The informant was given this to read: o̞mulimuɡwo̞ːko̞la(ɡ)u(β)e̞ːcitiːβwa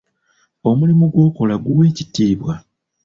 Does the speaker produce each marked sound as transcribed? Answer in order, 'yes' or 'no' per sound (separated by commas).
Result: yes, no